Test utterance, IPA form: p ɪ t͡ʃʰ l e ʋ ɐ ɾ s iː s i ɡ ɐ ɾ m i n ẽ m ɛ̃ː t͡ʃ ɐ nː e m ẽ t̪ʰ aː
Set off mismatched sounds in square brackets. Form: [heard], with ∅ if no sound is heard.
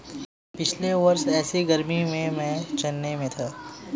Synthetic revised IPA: p ɪ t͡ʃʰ l e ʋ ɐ ɾ s [ɛː] s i ɡ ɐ ɾ m i [m] ẽ m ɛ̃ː t͡ʃ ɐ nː e m ẽ t̪ʰ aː